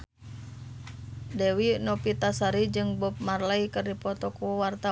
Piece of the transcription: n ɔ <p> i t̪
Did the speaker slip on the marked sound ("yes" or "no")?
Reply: no